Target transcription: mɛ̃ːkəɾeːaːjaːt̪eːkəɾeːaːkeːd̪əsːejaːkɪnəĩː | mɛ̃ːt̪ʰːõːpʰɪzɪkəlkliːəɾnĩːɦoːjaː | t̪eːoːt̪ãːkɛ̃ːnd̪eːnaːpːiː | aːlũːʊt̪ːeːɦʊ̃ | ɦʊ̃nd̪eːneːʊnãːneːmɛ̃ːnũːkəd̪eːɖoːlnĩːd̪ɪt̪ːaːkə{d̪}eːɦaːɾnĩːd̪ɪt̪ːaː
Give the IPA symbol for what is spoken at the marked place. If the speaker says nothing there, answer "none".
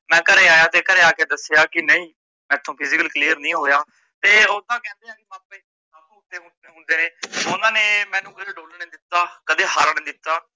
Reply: d̪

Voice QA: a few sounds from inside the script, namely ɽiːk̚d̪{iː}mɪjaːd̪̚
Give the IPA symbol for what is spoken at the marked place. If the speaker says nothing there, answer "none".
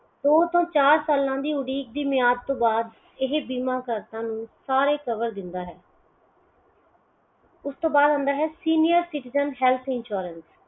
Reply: iː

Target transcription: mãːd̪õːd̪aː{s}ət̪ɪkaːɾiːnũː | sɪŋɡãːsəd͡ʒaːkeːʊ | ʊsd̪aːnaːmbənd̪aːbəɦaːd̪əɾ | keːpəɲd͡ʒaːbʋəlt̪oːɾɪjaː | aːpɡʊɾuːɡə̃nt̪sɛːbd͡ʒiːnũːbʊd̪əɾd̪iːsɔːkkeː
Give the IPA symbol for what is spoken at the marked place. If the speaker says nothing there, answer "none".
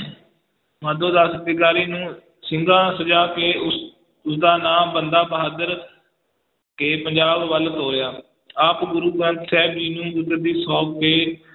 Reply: s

